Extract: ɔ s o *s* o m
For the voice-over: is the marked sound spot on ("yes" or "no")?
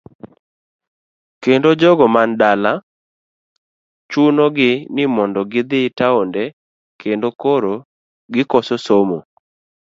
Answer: yes